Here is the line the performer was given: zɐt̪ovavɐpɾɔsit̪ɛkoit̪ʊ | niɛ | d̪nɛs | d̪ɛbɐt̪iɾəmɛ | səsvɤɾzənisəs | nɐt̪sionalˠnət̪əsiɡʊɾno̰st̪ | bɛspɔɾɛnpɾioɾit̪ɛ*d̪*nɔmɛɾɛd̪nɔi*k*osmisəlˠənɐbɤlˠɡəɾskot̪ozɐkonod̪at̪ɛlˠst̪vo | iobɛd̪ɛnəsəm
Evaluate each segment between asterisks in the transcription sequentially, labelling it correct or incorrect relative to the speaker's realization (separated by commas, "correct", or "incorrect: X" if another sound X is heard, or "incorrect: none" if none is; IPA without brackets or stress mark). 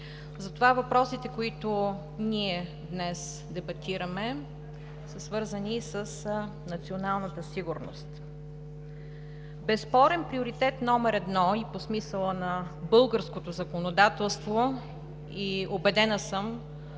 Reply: incorrect: t̪, incorrect: p